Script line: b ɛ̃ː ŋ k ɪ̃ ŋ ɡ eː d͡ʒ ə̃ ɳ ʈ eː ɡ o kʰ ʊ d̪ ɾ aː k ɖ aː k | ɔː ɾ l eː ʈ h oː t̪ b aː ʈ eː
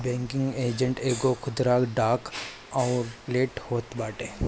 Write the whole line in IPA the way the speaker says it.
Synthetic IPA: b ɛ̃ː ŋ k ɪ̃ ŋ ɡ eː d͡ʒ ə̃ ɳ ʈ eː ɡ o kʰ ʊ d̪ ɾ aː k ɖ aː k | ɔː ɾ l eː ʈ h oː t̪ b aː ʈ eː